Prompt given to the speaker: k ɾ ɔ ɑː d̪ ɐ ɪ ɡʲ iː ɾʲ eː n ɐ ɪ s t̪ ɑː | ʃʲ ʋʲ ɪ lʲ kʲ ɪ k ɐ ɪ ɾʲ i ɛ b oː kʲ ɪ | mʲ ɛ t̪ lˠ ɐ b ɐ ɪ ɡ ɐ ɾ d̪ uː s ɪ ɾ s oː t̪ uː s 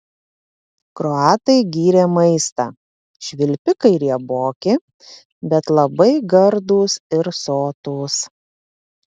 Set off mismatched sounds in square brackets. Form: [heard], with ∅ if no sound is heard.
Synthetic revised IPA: k ɾ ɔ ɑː [t̪] ɐ ɪ ɡʲ iː ɾʲ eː [m] ɐ ɪ s t̪ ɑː | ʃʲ ʋʲ ɪ lʲ [pʲ] ɪ k ɐ ɪ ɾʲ i ɛ b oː kʲ ɪ | [bʲ] ɛ t̪ lˠ ɐ b ɐ ɪ ɡ ɐ ɾ d̪ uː s ɪ ɾ s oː t̪ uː s